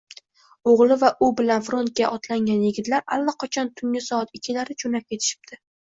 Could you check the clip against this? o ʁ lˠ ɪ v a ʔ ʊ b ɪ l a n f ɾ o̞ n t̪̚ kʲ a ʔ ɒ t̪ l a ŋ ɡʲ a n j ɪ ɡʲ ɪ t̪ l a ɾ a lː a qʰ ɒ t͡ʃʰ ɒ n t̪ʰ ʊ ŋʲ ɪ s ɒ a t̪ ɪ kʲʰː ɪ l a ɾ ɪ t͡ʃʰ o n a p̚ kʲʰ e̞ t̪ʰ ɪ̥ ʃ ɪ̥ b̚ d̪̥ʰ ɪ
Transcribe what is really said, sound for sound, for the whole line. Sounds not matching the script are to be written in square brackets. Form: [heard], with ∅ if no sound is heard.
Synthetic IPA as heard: o ʁ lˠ ɪ v a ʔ ʊ b ɪ l a n f ɾ o̞ n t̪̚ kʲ a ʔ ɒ t̪ l a ŋ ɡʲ a n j ɪ ɡʲ ɪ t̪ l a ɾ a lː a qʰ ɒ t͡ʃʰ ɒ n t̪ʰ ʊ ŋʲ ɪ s ɒ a t̪ ɪ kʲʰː ɪ l a ɾ ɪ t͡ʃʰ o n a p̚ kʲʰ e̞ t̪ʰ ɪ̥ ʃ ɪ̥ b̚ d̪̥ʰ ɪ